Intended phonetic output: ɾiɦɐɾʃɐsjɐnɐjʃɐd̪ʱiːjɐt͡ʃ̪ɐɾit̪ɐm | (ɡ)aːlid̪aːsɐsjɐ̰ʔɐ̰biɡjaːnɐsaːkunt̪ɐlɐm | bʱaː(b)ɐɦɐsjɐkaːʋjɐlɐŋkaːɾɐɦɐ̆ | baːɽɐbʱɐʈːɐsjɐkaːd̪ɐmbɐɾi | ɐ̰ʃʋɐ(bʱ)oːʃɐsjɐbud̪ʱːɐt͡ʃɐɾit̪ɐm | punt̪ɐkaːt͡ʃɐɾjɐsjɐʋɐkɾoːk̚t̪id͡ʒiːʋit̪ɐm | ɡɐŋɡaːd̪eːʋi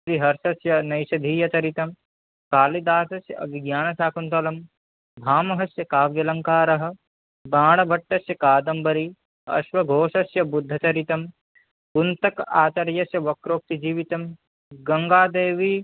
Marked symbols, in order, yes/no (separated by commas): no, no, no